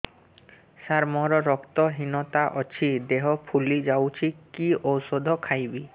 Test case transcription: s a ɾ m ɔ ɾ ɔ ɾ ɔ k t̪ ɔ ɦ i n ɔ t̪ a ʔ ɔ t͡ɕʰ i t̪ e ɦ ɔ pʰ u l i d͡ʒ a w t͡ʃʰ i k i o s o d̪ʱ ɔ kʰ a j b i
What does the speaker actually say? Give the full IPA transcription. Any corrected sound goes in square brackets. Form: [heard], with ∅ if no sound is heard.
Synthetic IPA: s a ɾ m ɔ ɾ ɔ ɾ ɔ k t̪ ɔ ɦ i n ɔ t̪ a ʔ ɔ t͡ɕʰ i [d̪] e ɦ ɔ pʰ u l i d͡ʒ a w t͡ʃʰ i k i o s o d̪ʱ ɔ kʰ a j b i